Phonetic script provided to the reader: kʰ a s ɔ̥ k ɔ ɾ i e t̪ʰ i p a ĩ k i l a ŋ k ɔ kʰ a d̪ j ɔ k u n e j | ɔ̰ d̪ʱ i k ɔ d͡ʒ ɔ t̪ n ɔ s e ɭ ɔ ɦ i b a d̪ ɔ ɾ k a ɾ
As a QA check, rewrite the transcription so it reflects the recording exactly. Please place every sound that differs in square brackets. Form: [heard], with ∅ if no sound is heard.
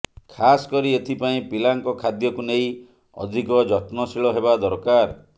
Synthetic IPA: kʰ a s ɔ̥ k ɔ ɾ i e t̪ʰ i p a ĩ [p] i l a ŋ k ɔ kʰ a d̪ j ɔ k u n e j | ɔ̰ d̪ʱ i k ɔ d͡ʒ ɔ t̪ n ɔ s [i] ɭ ɔ ɦ [e] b a d̪ ɔ ɾ k a ɾ